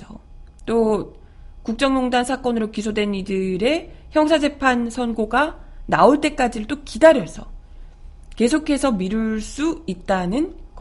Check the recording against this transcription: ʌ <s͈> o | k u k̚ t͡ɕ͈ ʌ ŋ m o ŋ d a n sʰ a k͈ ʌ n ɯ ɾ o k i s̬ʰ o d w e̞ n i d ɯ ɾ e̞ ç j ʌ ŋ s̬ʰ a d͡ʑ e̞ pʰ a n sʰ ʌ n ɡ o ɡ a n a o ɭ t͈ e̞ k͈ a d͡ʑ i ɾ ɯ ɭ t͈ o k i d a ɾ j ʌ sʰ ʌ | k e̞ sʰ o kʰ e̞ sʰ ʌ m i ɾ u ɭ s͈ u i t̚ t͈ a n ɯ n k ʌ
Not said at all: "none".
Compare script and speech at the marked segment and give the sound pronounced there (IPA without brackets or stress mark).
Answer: t͈